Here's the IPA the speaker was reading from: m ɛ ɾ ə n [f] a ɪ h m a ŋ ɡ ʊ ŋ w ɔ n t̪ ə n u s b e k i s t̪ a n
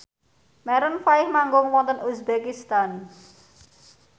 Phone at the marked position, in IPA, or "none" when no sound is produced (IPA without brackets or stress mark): f